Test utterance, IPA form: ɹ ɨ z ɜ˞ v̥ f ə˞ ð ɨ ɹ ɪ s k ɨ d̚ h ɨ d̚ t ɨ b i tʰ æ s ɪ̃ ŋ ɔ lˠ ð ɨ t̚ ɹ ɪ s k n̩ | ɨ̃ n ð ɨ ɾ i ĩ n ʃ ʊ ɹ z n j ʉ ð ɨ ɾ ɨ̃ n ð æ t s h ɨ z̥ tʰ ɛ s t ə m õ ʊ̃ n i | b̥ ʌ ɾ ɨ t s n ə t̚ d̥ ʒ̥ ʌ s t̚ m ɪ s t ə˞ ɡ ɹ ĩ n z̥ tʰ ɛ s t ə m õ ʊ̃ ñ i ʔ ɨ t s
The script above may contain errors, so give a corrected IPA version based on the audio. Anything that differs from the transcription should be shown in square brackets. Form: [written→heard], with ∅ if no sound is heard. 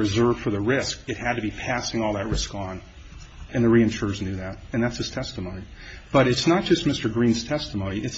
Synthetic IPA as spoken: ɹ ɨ z ɜ˞ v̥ f ə˞ ð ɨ ɹ ɪ s k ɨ [d̚→t̚] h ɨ d̚ t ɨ b i [tʰ→pʰ] æ s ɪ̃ ŋ ɔ lˠ ð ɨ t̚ ɹ ɪ s k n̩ | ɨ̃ n ð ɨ [ɾ→ɹ] i [ĩ→ɨ̃] n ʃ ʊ ɹ z n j ʉ ð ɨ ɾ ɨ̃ n ð æ t s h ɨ z̥ tʰ ɛ s t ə m õ ʊ̃ n i | b̥ ʌ ɾ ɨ t s n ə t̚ d̥ ʒ̥ ʌ s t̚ m ɪ s t ə˞ ɡ ɹ ĩ n z̥ tʰ ɛ s t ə m õ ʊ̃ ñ i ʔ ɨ t s